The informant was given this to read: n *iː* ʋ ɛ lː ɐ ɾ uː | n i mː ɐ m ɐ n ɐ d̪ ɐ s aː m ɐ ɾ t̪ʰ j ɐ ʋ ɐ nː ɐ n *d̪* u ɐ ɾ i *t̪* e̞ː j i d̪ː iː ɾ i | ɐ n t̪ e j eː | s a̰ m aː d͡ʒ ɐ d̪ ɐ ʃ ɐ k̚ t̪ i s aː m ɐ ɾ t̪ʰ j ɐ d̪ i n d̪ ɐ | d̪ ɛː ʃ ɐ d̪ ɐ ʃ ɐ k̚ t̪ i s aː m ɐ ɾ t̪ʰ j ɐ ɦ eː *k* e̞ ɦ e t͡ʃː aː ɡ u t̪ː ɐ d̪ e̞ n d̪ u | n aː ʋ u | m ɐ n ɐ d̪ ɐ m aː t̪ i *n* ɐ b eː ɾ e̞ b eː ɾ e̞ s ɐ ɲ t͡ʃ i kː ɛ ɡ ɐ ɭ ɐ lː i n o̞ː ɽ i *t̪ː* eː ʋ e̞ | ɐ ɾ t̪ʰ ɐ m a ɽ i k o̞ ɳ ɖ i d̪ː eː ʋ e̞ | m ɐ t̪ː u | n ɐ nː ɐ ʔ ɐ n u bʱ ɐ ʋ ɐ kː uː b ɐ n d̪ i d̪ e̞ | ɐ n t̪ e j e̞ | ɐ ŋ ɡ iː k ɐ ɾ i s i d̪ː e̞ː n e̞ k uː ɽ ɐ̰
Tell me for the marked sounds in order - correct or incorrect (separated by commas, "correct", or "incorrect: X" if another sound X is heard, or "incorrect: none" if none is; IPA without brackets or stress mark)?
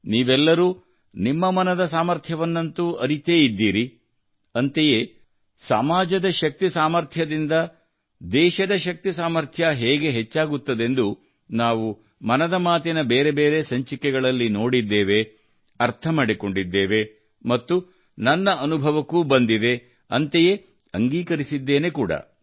correct, incorrect: t̪, correct, incorrect: ɡ, correct, incorrect: d̪ː